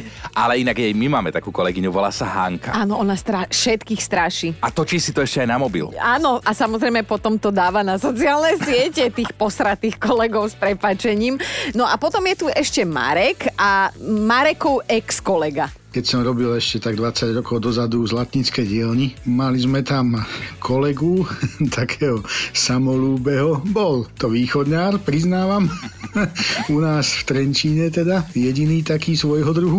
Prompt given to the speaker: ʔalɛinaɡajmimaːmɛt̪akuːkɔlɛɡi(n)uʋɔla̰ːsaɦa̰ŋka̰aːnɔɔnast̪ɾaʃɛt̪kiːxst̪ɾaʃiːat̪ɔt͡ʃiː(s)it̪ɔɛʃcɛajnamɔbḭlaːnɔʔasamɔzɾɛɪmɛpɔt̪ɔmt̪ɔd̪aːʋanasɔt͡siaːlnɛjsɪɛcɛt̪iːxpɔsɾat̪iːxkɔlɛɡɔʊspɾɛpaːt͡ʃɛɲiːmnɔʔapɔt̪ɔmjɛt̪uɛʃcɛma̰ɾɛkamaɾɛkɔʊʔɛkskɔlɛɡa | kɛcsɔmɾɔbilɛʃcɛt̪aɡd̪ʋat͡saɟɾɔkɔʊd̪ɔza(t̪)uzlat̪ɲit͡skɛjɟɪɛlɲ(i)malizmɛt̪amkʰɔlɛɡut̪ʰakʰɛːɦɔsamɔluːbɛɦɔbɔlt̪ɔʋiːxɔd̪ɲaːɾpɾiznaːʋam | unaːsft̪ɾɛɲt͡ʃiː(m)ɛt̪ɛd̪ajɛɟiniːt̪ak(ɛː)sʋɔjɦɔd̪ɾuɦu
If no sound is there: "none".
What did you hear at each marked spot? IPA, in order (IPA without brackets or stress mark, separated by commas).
ɲ, s, d̪, i, ɲ, iː